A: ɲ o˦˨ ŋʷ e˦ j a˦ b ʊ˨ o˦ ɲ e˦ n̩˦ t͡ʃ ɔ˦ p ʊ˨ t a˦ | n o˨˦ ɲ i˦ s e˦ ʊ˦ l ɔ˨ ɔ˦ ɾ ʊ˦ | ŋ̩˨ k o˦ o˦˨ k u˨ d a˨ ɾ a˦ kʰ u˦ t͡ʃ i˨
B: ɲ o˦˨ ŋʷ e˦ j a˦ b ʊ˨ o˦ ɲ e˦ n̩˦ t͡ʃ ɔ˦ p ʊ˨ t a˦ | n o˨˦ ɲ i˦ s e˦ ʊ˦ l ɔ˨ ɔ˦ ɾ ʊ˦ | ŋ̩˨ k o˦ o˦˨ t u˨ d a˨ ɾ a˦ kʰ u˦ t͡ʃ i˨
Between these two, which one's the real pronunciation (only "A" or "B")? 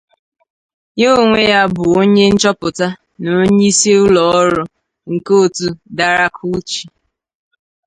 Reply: B